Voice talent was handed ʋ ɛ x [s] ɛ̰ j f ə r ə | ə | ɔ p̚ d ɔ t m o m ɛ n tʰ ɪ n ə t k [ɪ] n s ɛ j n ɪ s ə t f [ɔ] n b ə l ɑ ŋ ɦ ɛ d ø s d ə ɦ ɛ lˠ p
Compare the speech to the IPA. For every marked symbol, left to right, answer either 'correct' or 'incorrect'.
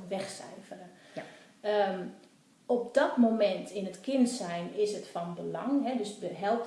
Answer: correct, correct, correct

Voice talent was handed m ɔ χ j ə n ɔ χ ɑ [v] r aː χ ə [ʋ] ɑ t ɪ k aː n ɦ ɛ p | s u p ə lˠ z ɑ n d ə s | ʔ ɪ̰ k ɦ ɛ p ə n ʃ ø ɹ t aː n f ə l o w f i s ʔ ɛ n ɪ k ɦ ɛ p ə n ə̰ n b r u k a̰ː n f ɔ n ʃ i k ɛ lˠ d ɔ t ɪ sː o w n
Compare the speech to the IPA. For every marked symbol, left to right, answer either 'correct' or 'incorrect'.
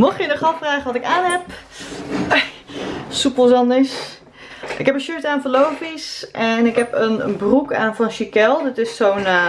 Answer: incorrect: f, correct

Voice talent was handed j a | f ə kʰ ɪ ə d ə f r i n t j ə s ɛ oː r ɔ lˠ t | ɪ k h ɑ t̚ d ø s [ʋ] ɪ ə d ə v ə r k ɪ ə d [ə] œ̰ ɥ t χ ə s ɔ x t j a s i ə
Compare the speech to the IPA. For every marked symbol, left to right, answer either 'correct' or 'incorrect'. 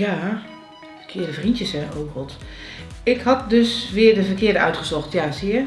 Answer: correct, correct

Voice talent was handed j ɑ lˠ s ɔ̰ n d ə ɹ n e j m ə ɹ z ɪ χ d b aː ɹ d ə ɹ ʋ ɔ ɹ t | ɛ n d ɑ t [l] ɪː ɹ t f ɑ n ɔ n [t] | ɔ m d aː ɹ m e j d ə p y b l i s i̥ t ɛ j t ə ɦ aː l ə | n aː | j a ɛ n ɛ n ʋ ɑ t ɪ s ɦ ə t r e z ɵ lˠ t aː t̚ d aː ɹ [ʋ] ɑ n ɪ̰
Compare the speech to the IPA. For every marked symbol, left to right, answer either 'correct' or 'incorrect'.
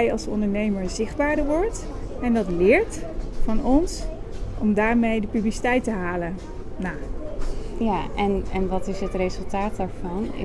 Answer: correct, incorrect: s, incorrect: v

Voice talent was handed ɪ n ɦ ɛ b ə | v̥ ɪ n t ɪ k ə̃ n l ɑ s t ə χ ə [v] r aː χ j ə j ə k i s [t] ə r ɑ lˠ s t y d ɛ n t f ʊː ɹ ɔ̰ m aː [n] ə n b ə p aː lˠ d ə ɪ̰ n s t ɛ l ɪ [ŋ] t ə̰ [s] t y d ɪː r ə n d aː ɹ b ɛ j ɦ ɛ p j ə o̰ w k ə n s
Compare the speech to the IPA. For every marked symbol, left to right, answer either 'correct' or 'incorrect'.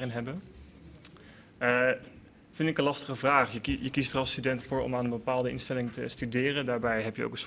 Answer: correct, correct, correct, correct, correct

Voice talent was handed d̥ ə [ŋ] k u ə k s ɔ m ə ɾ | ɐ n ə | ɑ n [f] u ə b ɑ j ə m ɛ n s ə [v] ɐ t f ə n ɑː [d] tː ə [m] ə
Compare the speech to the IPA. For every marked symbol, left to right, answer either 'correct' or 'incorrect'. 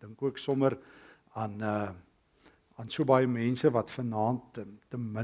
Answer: correct, incorrect: s, correct, incorrect: n, correct

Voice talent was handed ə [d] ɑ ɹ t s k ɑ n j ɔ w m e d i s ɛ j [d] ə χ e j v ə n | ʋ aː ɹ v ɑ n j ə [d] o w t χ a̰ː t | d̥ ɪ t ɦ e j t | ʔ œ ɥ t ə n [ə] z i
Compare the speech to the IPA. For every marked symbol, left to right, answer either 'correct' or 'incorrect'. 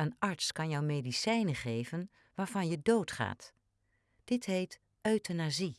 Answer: incorrect: n, incorrect: n, correct, incorrect: a

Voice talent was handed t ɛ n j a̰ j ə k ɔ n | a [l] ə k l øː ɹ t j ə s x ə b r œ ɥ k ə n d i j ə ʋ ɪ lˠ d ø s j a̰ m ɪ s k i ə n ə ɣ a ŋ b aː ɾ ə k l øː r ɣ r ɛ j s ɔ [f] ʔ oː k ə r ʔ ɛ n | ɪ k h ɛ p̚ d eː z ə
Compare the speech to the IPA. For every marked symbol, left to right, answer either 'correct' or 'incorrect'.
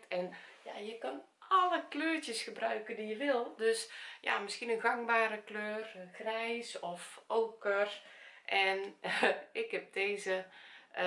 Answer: correct, correct

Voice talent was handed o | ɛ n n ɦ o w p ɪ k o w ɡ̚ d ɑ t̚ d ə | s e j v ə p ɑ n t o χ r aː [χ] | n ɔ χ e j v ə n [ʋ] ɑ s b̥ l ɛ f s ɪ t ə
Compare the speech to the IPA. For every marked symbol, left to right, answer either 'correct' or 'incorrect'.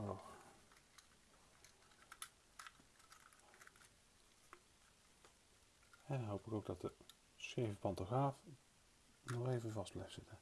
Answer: incorrect: f, incorrect: v

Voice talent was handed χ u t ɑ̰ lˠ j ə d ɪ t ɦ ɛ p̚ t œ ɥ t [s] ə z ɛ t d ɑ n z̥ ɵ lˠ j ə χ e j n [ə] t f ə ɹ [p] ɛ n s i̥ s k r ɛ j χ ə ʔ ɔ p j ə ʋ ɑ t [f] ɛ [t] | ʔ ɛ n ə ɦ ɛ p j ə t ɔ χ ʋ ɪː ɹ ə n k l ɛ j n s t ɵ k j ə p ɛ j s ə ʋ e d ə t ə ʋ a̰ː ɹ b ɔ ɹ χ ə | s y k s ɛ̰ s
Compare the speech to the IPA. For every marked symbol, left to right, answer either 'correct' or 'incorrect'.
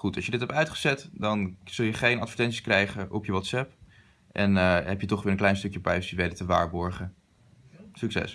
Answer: incorrect: χ, incorrect: ɑ, incorrect: t, incorrect: s, incorrect: p

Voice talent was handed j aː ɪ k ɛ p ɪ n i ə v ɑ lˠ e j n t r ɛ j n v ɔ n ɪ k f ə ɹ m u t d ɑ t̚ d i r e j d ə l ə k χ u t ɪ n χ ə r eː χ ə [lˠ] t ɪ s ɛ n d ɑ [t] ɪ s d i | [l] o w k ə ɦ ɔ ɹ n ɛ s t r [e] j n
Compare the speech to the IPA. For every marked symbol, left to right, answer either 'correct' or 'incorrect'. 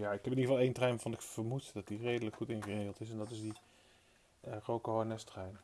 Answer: correct, correct, incorrect: r, incorrect: ɛ

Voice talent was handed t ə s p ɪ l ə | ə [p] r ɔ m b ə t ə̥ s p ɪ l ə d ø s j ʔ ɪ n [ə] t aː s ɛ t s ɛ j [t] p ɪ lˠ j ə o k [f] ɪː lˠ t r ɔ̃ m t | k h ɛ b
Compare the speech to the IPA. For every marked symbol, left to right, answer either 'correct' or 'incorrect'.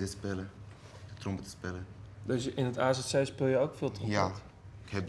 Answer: incorrect: t, correct, incorrect: s, correct

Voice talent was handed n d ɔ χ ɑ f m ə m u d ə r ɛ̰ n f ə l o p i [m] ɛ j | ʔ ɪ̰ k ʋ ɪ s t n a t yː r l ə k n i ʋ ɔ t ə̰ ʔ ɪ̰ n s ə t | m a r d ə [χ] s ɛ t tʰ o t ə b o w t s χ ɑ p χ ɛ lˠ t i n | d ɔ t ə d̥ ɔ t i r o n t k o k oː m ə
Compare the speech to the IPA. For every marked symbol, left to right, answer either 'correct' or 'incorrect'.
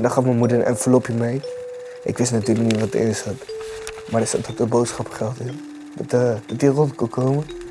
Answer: correct, incorrect: none

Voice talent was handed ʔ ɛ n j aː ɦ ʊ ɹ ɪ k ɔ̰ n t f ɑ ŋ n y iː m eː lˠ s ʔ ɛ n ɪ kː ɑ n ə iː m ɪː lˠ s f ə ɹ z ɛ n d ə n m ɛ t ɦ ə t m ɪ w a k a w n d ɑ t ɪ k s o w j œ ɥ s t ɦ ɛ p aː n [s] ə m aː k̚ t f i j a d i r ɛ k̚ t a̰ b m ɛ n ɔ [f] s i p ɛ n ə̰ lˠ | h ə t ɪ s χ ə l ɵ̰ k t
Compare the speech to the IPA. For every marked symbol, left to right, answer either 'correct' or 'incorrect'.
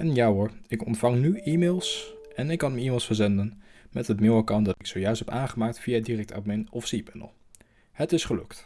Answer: incorrect: χ, correct

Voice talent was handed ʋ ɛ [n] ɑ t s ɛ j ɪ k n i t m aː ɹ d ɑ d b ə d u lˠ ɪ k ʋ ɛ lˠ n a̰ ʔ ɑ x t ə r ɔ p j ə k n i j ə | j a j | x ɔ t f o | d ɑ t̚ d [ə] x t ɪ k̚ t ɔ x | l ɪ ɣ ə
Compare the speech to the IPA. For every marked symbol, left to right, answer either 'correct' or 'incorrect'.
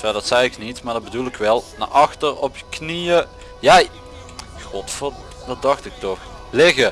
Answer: incorrect: d, incorrect: ɑ

